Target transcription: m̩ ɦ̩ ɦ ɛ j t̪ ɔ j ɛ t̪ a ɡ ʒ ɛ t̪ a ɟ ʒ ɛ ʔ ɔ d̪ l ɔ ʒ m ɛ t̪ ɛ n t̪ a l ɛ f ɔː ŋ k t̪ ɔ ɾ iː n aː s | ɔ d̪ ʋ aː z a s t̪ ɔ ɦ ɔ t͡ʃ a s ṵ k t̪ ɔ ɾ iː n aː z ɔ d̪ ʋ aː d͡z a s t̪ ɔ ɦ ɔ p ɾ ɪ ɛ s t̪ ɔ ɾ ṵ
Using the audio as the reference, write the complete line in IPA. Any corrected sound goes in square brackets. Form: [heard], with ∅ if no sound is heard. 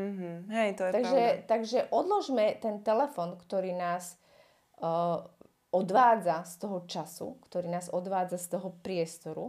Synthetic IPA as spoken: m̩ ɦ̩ ɦ ɛ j t̪ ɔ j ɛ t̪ a ɡ ʒ ɛ t̪ a [ɡ] ʒ ɛ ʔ ɔ d̪ l ɔ ʒ m ɛ t̪ ɛ n t̪ [ɛ] l ɛ f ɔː [n] k t̪ ɔ ɾ iː n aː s | ɔ d̪ ʋ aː [d͡z] a s t̪ ɔ ɦ ɔ t͡ʃ a s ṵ k t̪ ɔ ɾ iː n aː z ɔ d̪ ʋ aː d͡z a s t̪ ɔ ɦ ɔ p ɾ ɪ ɛ s t̪ ɔ ɾ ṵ